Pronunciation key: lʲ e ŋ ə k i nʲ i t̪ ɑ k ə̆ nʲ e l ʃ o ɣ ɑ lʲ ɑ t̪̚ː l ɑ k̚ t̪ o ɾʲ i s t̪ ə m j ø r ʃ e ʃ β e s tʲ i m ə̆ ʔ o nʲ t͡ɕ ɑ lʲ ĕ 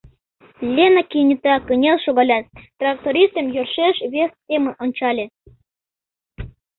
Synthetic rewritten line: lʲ e n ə k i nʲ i t̪ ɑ k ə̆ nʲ e l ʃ o ɣ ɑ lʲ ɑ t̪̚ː r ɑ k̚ t̪ o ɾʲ i s t̪ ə m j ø r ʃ e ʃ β e s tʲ e m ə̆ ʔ o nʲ t͡ɕ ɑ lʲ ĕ